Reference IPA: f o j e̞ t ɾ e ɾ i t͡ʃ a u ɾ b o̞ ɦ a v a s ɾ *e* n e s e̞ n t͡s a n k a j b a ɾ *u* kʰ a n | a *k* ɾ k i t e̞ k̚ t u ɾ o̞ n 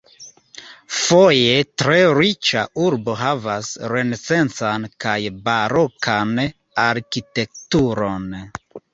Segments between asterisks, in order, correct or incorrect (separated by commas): correct, incorrect, incorrect